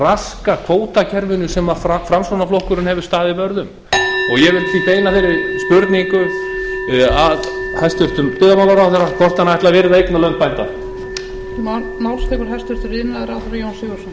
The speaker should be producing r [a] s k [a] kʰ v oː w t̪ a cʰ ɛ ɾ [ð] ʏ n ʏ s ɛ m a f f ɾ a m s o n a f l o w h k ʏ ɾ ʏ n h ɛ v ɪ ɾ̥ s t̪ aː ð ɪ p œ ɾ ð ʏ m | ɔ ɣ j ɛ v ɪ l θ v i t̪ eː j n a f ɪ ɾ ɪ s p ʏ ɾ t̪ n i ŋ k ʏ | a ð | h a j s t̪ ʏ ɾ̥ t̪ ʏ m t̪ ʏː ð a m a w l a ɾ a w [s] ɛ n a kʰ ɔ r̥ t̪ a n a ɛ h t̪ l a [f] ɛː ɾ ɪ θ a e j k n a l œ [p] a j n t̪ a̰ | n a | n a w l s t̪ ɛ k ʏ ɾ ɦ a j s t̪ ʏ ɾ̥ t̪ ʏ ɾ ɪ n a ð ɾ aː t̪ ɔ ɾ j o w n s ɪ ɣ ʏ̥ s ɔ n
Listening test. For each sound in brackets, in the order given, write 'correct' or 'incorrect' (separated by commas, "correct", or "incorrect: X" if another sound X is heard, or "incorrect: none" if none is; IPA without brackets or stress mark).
correct, correct, incorrect: v, incorrect: θ, incorrect: v, correct